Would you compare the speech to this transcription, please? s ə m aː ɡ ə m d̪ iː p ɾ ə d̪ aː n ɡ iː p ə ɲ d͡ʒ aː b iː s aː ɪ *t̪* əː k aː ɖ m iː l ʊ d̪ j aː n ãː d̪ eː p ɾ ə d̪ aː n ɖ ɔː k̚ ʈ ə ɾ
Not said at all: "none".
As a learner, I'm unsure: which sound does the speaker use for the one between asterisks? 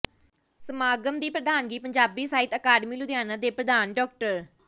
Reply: t̪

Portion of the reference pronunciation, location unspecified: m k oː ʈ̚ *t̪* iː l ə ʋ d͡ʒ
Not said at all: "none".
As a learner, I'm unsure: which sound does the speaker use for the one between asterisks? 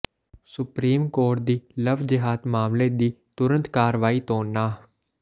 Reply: d̪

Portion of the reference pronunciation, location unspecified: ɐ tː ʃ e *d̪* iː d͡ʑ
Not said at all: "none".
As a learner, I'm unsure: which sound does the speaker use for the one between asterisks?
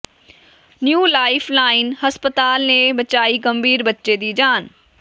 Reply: d̪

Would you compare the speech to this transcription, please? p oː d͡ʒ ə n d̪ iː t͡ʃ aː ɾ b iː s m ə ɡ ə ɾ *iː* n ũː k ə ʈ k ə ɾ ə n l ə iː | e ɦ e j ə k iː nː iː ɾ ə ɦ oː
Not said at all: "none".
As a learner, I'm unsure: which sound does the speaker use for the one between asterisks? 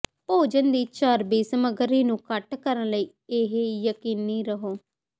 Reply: iː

